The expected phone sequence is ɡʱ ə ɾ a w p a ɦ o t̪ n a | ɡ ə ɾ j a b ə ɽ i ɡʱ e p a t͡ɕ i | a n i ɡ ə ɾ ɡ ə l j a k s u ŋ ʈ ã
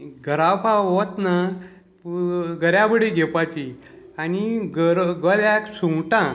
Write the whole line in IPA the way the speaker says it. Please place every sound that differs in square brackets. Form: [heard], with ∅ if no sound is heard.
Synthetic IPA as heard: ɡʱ ə ɾ a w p a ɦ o t̪ n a | ɡ ə ɾ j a b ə ɽ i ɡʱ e p a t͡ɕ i | a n i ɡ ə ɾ ɡ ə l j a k s u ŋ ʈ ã